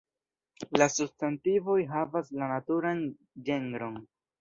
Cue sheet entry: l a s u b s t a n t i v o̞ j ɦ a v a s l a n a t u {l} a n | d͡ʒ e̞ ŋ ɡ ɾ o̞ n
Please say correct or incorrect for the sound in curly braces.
incorrect